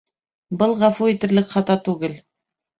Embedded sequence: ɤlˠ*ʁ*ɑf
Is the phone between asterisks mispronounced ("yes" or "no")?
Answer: no